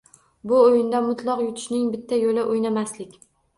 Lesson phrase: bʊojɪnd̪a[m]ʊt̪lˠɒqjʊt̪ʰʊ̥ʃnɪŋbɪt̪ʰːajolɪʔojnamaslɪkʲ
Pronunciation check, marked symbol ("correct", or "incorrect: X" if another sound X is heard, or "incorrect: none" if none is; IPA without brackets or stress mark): correct